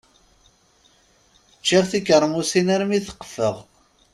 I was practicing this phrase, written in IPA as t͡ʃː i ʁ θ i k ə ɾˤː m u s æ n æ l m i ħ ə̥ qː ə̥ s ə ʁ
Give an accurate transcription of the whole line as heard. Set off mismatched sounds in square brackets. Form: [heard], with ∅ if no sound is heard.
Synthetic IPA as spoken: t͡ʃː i ʁ θ i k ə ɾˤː m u s [i] n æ [ɾ] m i [θ] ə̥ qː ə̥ [f] ə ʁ

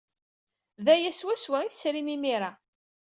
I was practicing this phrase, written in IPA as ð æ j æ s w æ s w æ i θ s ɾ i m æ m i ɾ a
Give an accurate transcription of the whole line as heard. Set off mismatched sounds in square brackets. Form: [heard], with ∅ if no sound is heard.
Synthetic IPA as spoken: ð æ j æ s w æ s w æ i θ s ɾ i m [i] m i ɾ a

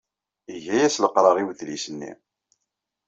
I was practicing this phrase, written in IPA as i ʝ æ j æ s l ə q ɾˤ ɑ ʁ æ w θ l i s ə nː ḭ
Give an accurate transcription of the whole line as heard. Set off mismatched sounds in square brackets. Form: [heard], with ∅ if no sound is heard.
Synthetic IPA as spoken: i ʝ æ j æ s l ə q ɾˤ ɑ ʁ [i] w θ l i s ə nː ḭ

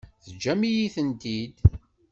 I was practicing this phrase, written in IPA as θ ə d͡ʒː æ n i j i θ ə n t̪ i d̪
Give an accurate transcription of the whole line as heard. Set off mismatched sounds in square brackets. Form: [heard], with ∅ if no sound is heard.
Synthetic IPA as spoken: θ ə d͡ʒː æ [m] i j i θ ə n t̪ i d̪

